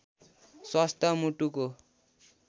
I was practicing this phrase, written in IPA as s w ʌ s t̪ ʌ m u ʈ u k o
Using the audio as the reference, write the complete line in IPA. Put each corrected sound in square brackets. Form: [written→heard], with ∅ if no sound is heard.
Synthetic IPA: s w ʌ s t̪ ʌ m u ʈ u k o